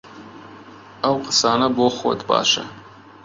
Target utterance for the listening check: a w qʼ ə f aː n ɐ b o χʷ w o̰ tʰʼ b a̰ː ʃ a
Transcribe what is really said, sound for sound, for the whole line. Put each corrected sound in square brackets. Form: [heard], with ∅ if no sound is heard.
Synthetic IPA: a w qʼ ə [s] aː n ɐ b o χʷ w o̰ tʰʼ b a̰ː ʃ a